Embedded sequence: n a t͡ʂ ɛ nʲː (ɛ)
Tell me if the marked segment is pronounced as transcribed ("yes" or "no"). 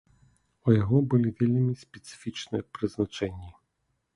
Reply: no